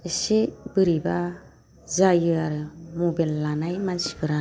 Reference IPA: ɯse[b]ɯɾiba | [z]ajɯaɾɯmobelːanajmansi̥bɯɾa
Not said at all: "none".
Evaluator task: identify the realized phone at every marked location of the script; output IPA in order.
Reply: b, z

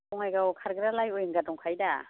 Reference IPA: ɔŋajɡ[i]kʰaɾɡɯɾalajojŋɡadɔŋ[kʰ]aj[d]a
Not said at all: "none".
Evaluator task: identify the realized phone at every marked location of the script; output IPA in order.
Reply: a, kʰ, d

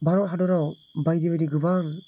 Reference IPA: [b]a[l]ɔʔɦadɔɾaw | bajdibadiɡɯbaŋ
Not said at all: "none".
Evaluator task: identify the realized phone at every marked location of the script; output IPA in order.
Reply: b, ɾ

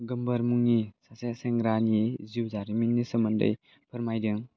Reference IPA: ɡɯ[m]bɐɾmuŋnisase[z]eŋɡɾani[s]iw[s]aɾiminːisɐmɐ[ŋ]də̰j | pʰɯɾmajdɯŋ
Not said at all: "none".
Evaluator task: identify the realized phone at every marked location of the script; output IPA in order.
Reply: m, s, z, z, n

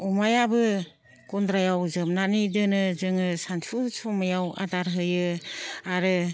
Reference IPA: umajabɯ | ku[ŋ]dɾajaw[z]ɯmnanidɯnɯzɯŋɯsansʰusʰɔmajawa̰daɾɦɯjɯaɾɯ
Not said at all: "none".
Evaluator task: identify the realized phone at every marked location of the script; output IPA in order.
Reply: n, z

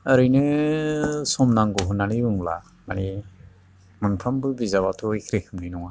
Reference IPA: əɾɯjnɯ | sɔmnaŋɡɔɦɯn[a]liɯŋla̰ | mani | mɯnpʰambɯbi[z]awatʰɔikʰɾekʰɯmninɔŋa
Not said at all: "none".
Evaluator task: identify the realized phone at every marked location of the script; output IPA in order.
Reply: a, z

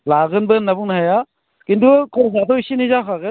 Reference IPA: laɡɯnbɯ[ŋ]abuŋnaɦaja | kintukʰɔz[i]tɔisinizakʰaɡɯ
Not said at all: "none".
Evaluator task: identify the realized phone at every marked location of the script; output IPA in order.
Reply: n, a

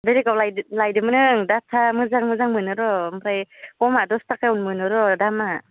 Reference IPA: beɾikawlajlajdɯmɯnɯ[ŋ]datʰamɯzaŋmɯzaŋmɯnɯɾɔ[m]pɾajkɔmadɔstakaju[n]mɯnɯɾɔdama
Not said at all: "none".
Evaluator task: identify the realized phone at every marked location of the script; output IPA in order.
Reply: ŋ, m, n

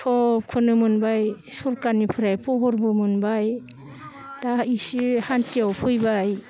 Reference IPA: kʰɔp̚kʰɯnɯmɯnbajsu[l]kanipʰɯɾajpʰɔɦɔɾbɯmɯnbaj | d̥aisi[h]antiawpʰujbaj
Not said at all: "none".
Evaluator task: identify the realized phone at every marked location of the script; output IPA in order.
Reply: ɾ, h

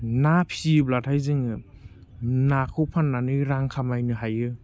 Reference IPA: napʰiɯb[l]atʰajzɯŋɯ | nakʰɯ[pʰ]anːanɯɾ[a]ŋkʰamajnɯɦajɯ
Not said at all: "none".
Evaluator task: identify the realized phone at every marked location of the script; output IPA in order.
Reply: l, pʰ, a

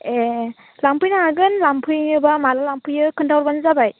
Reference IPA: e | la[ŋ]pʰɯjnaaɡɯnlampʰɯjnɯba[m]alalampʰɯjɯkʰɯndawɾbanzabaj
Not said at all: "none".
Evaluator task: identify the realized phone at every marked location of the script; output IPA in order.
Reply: m, m

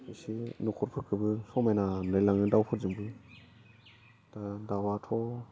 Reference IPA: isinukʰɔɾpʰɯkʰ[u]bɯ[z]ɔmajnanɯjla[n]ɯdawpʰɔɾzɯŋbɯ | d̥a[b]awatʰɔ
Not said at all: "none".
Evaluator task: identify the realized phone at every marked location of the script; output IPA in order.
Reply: ɯ, s, ŋ, d

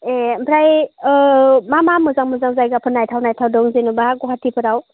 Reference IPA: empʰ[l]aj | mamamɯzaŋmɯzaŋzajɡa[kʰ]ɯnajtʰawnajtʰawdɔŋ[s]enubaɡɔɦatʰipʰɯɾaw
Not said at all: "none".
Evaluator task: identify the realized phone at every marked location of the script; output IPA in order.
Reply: ɾ, pʰ, z

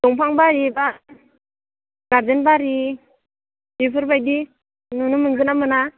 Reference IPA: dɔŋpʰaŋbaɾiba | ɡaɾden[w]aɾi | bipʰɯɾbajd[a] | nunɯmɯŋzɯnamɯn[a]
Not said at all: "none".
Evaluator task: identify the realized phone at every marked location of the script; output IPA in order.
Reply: b, i, a

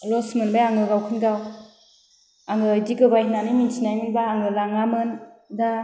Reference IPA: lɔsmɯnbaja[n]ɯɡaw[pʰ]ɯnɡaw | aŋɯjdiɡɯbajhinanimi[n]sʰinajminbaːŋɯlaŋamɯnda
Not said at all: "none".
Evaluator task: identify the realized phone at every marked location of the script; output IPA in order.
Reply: ŋ, kʰ, n

